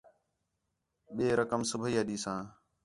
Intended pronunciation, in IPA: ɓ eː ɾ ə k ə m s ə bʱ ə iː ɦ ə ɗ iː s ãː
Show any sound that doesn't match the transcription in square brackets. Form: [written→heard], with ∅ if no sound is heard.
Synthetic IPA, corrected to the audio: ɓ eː ɾ ə k ə m s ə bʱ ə iː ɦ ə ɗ iː s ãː